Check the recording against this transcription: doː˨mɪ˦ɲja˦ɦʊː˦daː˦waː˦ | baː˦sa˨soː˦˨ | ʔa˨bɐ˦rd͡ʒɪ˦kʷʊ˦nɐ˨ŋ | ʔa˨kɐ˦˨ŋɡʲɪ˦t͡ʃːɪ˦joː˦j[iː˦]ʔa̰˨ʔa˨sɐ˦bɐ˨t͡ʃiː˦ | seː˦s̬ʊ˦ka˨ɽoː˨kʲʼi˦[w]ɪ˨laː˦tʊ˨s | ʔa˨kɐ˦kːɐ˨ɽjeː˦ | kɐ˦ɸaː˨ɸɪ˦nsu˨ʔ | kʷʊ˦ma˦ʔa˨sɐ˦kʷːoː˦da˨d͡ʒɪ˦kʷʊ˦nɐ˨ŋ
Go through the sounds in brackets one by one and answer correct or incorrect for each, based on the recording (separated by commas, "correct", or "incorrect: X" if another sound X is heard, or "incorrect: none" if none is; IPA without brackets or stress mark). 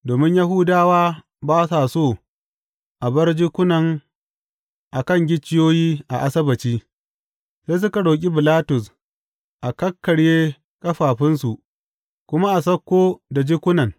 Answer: correct, incorrect: b